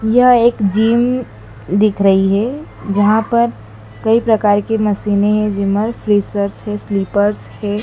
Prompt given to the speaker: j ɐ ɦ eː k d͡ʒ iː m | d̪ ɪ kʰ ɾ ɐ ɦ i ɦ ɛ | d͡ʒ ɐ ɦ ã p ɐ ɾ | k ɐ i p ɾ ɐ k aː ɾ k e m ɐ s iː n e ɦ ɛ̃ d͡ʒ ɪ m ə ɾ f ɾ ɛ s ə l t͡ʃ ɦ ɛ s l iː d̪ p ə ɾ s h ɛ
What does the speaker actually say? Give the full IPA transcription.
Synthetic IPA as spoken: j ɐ ɦ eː k d͡ʒ iː m | d̪ ɪ kʰ ɾ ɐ ɦ i ɦ ɛ | d͡ʒ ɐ ɦ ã p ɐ ɾ | k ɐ i p ɾ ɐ k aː ɾ k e m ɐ s iː n e ɦ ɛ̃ d͡ʒ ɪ m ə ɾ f ɾ i s ə ɾ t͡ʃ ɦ ɛ s l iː p ə ɾ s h ɛ

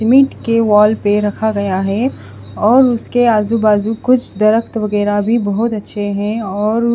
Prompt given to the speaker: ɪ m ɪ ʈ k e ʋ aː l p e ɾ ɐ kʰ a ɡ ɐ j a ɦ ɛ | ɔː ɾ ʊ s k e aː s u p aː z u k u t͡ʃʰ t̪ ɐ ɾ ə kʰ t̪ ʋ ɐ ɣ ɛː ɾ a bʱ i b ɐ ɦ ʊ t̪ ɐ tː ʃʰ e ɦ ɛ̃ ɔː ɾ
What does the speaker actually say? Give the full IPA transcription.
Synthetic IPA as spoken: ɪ m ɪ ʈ k e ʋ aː l p e ɾ ɐ kʰ a ɡ ɐ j a ɦ ɛ | ɔː ɾ ʊ s k e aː z u b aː z u k ʊ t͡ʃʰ d̪ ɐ ɾ ə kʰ t̪ ʋ ɐ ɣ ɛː ɾ a bʱ i b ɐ ɦ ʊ t̪ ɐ tː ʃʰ e ɦ ɛ̃ ɔː ɾ

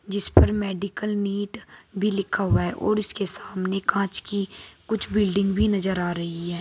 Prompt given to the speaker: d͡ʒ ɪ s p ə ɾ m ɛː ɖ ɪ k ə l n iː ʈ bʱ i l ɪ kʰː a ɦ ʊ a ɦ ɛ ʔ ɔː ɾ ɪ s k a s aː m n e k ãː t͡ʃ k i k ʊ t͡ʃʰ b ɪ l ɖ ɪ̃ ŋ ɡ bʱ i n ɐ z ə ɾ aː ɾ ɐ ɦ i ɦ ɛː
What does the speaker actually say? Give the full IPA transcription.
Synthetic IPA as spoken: d͡ʒ ɪ s p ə ɾ m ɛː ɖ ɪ k ə l n iː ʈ bʱ i l ɪ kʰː a ɦ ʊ a ɦ ɛ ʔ ɔː ɾ ɪ s k e s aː m n e k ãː t͡ʃ k i k ʊ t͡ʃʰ b ɪ l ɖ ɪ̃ ŋ ɡ bʱ i n ɐ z ə ɾ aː ɾ ɐ ɦ i ɦ ɛː

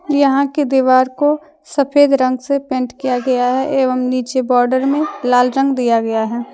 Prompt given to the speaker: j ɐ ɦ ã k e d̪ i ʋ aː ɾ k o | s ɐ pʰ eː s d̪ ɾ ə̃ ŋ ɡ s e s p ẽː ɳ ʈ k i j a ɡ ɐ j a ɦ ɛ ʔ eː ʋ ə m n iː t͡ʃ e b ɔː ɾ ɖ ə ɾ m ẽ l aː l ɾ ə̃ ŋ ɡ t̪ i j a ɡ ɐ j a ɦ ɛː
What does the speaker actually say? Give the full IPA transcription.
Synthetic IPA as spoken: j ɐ ɦ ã k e d̪ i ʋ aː ɾ k o | s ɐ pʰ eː d̪ ɾ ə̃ ŋ ɡ s e p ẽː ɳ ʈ k i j a ɡ ɐ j a ɦ ɛ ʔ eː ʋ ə m n iː t͡ʃ e b ɔː ɾ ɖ ə ɾ m ẽ l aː l ɾ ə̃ ŋ ɡ d̪ i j a ɡ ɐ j a ɦ ɛː

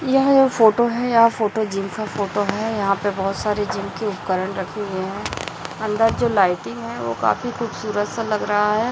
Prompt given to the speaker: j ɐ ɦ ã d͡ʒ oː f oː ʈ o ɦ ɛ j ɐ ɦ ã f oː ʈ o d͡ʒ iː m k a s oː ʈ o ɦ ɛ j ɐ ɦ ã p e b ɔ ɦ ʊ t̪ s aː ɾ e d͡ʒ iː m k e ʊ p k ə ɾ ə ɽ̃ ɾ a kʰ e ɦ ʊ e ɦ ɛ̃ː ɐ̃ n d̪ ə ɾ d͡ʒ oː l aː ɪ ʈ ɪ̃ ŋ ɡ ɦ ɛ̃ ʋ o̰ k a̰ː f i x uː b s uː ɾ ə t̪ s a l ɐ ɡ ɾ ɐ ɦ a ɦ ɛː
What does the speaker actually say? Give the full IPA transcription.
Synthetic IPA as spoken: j ɐ ɦ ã d͡ʒ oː f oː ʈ o ɦ ɛ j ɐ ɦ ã f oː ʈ o d͡ʒ iː m k a f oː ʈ o ɦ ɛ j ɐ ɦ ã p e b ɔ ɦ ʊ t̪ s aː ɾ e d͡ʒ iː m k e ʊ p k ə ɾ ə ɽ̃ ɾ ɐ kʰ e ɦ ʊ e ɦ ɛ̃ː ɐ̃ n d̪ ə ɾ d͡ʒ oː l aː ɪ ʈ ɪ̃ ŋ ɡ ɦ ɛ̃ ʋ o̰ k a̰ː f i x uː b s uː ɾ ə t̪ s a l ɐ ɡ ɾ ɐ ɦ a ɦ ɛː

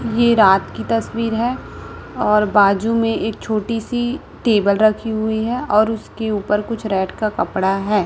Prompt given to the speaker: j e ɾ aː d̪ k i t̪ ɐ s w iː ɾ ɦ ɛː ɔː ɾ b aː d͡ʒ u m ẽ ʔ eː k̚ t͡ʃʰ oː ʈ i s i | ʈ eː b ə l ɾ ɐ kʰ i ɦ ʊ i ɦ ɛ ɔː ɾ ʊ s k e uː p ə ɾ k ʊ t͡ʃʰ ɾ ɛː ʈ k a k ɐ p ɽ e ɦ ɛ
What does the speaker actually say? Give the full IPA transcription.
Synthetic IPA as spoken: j e ɾ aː t̪ k i t̪ ɐ s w iː ɾ ɦ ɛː ɔː ɾ b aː d͡ʒ u m ẽ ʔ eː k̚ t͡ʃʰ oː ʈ i s i | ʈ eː b ə l ɾ ɐ kʰ i ɦ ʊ i ɦ ɛ ɔː ɾ ʊ s k e uː p ə ɾ k ʊ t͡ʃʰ ɾ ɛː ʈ k a k ɐ p ɽ a ɦ ɛː

